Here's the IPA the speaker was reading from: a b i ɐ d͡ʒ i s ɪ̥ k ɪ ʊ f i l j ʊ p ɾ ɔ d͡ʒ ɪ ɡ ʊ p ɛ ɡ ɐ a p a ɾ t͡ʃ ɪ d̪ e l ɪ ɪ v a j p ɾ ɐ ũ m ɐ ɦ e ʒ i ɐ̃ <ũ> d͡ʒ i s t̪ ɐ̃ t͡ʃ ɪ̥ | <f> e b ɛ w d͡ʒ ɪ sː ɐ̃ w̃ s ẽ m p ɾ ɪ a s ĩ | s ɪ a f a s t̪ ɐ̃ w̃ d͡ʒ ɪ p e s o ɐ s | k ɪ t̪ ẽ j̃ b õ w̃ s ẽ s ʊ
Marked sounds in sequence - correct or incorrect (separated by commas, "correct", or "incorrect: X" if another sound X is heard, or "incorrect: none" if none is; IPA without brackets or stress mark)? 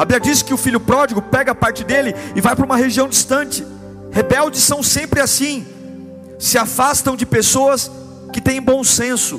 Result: incorrect: w̃, incorrect: h